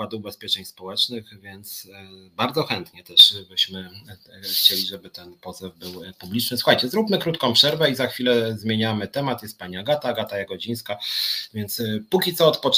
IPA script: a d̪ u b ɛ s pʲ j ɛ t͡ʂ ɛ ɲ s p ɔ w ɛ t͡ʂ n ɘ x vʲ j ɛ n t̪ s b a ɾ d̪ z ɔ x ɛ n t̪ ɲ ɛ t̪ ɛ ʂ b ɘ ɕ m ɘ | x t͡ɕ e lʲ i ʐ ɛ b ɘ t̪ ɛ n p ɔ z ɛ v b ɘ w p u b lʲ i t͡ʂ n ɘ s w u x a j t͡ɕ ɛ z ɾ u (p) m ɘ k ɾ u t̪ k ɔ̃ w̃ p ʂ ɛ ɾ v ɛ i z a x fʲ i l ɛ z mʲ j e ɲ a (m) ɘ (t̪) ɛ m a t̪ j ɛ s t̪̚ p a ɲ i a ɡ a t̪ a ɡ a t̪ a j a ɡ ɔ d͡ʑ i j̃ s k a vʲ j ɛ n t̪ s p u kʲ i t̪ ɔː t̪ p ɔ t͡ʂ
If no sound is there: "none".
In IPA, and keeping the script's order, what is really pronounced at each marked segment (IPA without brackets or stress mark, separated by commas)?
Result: p, m, t̪